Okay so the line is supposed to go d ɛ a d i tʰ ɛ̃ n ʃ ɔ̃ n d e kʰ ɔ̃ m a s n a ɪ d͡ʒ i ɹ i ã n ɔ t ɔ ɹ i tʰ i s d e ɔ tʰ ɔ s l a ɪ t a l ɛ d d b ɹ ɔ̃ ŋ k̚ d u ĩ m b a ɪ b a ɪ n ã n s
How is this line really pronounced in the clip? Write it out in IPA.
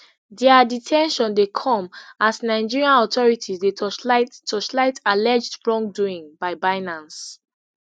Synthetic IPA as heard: d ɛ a d i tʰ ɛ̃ n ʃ ɔ̃ n d e kʰ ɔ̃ m a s n a ɪ d͡ʒ i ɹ i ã n ɔ t ɔ ɹ i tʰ i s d e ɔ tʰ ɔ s l a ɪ t a l ɛ d͡ʒ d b ɹ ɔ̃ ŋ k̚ d u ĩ ŋ b a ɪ b a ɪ n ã n s